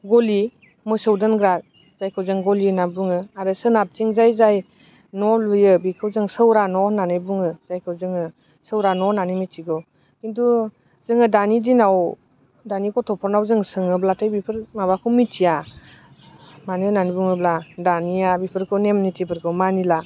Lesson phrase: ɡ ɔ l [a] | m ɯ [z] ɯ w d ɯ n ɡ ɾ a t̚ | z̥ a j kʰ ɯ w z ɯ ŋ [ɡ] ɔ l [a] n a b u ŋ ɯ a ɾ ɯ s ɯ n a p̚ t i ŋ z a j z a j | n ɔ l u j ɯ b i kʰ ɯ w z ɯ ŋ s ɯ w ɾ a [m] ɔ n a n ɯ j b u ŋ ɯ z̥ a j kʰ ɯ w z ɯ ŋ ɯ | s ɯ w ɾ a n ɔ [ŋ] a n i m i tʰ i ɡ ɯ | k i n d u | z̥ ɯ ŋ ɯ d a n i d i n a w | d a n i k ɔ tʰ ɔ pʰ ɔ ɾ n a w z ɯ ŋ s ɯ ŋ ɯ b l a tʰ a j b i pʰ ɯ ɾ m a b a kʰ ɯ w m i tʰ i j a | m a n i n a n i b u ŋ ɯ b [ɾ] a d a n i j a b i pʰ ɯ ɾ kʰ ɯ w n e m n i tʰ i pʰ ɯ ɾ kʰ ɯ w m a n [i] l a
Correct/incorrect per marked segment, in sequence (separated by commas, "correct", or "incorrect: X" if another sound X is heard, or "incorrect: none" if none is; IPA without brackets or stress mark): incorrect: i, incorrect: s, correct, incorrect: i, incorrect: n, incorrect: n, incorrect: l, correct